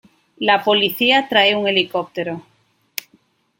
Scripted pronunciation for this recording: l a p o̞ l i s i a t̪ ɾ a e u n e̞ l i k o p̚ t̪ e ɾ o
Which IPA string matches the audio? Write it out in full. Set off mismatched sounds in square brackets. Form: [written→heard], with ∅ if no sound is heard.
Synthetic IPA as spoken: l a p o̞ l i [s→θ] i a t̪ ɾ a e u [n→ŋ] e̞ l i k o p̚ t̪ e ɾ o